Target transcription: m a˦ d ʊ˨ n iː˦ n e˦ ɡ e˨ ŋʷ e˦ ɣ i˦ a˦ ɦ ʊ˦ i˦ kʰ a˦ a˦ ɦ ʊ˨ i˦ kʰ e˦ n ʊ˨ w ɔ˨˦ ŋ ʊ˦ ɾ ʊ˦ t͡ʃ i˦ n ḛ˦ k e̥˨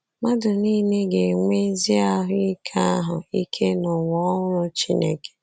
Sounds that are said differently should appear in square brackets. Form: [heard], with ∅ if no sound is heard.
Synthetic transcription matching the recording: m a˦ d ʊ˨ n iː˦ n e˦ ɡ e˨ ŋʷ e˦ [z] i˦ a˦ ɦ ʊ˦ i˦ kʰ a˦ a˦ ɦ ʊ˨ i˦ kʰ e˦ n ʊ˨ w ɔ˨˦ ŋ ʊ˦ ɾ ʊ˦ t͡ʃ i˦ n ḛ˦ k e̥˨